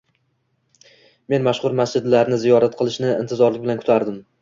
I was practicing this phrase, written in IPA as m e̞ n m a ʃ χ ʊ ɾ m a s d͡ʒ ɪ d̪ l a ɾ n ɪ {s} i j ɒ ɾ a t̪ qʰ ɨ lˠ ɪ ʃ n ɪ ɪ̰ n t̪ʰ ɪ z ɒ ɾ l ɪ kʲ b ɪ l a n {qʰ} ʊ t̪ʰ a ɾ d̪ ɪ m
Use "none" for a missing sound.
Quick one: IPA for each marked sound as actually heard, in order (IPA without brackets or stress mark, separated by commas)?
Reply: z, kʰ